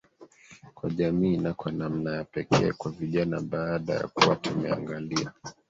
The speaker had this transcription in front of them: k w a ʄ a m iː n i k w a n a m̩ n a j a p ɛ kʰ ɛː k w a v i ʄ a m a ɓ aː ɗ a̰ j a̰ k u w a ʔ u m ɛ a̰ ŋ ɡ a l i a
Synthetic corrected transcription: k w a ʄ a m iː n a k w a n a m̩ n a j a p ɛ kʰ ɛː k w a v i ʄ a n a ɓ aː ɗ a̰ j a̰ k u w a t u m ɛ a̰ ŋ ɡ a l i a